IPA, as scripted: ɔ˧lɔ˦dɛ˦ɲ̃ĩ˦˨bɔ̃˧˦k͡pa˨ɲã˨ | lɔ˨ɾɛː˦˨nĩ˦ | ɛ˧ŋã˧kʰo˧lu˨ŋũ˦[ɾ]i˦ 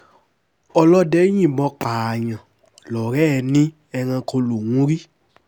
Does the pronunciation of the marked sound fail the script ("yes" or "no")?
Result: no